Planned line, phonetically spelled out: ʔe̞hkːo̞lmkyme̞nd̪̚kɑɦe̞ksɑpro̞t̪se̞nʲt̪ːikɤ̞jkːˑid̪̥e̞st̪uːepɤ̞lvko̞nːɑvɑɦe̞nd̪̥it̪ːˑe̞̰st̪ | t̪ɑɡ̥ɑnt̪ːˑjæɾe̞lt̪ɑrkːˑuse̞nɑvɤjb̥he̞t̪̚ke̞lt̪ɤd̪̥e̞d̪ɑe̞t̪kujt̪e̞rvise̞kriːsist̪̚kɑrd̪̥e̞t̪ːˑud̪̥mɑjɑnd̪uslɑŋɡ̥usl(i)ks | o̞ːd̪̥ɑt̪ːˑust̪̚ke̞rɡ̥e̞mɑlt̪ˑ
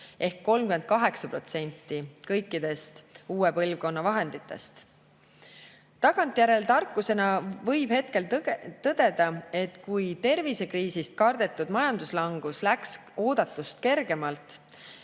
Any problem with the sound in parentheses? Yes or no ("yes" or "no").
yes